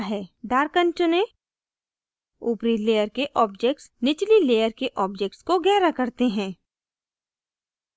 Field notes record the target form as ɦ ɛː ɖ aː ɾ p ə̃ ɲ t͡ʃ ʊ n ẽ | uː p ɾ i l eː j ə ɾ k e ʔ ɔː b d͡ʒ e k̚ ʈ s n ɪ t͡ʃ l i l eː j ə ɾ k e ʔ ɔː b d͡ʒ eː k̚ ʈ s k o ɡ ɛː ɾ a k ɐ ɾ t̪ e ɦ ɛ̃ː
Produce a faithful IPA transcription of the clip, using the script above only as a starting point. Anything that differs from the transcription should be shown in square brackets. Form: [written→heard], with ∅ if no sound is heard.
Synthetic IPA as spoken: ɦ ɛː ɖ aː ɾ [p→k] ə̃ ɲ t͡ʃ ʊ n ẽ | uː p ɾ i l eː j ə ɾ k e ʔ ɔː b d͡ʒ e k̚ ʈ s n ɪ t͡ʃ l i l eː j ə ɾ k e ʔ ɔː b d͡ʒ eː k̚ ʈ s k o ɡ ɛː ɾ a k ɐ ɾ t̪ e ɦ ɛ̃ː